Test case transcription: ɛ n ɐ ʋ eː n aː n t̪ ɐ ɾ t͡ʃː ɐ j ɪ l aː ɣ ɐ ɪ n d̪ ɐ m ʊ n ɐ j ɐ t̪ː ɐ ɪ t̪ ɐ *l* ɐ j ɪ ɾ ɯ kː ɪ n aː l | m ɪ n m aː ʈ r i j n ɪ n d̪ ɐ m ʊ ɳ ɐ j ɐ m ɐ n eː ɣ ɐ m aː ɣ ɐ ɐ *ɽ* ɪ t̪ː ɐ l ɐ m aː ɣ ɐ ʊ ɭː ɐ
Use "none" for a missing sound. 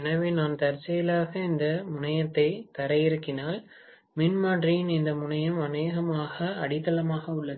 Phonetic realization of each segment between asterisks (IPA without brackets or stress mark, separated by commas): ɾ, ɽ